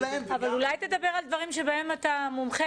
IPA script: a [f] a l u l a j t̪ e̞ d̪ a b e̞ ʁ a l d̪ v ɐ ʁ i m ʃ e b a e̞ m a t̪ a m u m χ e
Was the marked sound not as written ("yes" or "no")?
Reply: yes